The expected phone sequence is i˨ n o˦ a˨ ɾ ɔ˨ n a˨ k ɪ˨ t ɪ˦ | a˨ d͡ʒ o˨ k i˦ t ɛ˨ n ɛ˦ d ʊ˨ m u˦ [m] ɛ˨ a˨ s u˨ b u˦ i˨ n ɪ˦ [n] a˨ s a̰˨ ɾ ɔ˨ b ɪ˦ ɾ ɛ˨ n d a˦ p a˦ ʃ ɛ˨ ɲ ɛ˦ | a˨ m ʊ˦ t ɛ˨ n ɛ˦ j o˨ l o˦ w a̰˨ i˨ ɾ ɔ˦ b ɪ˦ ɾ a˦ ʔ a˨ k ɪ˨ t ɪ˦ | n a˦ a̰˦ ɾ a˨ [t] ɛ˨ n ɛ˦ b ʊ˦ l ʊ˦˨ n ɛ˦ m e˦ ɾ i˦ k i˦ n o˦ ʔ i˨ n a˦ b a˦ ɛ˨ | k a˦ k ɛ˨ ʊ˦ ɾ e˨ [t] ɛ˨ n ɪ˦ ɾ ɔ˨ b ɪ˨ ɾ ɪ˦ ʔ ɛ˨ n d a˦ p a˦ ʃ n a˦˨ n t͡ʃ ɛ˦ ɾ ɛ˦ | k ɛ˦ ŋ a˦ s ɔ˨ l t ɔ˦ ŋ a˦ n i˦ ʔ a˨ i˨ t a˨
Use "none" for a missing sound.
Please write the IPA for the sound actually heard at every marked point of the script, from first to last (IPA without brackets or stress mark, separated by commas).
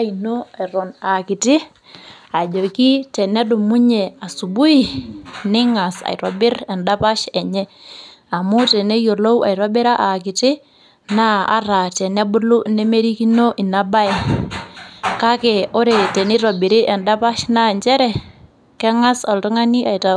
ɲ, ŋ, t, t